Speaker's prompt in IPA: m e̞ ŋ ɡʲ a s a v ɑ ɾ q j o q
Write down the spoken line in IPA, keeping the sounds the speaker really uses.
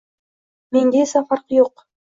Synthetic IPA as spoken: m e̞ ŋ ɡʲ e s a f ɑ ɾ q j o q